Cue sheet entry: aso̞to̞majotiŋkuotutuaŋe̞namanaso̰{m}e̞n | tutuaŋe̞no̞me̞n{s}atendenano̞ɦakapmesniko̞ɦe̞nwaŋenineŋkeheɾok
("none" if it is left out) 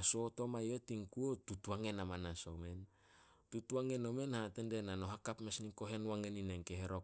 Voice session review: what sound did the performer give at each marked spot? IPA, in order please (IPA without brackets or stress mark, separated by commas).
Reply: m, h